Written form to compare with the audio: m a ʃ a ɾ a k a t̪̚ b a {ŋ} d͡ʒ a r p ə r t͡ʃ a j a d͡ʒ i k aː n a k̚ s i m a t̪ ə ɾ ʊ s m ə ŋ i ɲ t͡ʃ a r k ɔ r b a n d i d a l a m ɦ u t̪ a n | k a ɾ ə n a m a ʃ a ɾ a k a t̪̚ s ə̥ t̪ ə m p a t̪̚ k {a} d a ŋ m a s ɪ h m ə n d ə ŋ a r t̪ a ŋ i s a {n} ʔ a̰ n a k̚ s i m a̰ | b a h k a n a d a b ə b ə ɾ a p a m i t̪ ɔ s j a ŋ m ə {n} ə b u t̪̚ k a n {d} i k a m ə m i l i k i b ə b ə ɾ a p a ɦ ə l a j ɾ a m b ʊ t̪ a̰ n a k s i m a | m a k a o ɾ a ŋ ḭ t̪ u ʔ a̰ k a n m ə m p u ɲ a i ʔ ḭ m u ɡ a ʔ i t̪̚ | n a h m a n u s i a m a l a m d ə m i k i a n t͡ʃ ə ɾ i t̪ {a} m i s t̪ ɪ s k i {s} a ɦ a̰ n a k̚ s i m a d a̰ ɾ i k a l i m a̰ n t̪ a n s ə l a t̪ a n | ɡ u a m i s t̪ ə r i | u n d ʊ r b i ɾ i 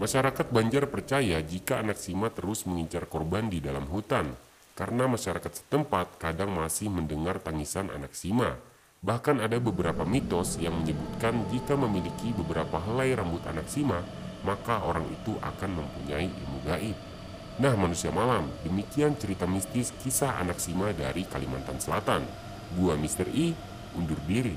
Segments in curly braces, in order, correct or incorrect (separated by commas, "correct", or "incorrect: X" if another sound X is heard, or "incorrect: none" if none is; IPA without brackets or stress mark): incorrect: ɲ, correct, correct, incorrect: ɲ, incorrect: d͡ʒ, correct, correct